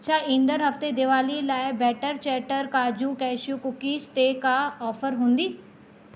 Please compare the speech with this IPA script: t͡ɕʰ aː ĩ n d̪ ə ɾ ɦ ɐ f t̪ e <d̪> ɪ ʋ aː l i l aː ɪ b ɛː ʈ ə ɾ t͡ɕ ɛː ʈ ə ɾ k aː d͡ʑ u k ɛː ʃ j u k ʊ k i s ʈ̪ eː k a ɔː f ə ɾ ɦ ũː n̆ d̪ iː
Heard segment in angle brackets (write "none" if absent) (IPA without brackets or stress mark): d̪